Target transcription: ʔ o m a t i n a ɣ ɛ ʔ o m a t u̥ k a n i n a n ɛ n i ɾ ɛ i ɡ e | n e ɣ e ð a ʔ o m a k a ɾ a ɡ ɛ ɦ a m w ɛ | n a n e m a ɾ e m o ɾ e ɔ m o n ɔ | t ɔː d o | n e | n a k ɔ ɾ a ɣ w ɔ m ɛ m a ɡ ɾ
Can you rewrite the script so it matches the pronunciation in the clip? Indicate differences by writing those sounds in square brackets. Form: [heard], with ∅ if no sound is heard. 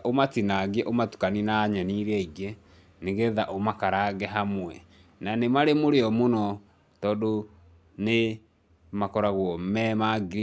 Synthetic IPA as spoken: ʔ o m a t i n a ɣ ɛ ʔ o m a t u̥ k a n i n a [ɲ] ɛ n i ɾ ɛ i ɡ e | n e ɣ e ð a ʔ o m a k a ɾ a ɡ ɛ ɦ a m w ɛ | n a n e m a ɾ e m o ɾ e ɔ m o n ɔ | t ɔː d o | n e | [m] a k ɔ ɾ a ɣ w ɔ m ɛ m a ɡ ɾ